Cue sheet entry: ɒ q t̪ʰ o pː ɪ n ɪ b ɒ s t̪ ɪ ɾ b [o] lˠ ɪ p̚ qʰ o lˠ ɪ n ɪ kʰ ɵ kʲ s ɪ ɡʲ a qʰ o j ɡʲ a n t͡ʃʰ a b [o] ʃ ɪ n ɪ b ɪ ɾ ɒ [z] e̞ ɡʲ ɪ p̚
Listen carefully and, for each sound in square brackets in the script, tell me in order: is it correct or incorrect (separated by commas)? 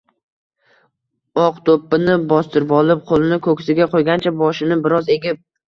incorrect, incorrect, correct